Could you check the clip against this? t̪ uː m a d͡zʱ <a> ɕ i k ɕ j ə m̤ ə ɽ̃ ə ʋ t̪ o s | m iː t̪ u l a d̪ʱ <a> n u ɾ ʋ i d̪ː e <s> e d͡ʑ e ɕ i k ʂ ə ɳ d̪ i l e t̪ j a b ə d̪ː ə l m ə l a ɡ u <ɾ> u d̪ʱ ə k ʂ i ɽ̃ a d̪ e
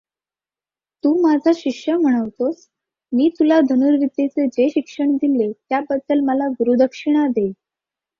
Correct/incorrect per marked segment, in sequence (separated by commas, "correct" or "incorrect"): correct, incorrect, incorrect, correct